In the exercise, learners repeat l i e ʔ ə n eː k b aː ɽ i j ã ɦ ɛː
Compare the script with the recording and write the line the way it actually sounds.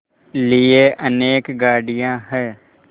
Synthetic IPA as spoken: l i e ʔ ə n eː k ɡ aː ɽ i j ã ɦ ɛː